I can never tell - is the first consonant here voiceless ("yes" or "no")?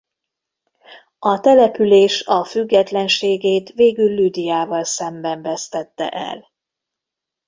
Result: yes